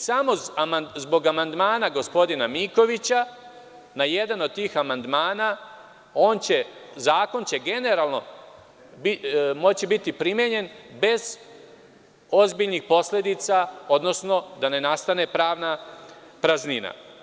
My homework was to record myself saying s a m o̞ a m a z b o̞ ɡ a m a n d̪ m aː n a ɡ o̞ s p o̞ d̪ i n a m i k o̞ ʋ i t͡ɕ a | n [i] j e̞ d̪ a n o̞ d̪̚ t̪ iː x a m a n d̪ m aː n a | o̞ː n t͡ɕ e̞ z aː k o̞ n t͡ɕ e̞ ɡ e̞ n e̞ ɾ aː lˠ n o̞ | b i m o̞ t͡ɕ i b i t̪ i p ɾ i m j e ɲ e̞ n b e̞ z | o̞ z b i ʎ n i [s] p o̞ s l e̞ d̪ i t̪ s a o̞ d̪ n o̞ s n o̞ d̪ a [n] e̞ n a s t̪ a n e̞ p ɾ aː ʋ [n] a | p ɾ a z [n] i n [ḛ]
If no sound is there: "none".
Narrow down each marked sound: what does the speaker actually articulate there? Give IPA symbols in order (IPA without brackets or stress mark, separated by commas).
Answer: a, x, n, n, n, a̰